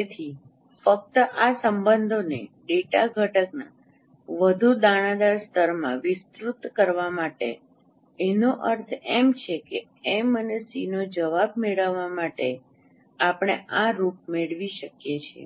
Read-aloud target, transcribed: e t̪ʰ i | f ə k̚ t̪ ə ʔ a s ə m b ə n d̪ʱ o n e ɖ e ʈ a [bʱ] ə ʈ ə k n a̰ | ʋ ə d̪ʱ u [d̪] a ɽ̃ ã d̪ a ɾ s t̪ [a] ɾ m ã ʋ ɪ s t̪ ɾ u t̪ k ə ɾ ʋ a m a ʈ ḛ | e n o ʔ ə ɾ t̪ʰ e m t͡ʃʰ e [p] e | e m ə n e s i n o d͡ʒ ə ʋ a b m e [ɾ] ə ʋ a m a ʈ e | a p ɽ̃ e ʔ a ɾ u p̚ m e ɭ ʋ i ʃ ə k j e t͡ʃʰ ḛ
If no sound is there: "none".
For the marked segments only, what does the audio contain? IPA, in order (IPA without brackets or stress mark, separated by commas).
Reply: ɡʱ, d̪, ə, k, ɭ